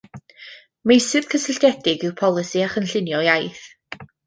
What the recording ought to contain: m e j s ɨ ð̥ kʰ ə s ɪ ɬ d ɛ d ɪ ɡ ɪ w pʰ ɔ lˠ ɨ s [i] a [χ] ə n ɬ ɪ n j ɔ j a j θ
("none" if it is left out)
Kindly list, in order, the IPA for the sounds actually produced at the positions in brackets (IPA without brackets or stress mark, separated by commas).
i, χ